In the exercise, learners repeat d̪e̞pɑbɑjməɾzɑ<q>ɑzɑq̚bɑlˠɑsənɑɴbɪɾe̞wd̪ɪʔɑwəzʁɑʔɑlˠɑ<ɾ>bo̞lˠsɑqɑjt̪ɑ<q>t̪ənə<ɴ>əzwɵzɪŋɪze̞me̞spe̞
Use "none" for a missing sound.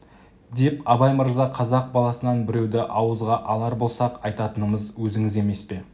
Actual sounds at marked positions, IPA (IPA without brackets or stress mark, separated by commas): qʰ, ɾ, none, m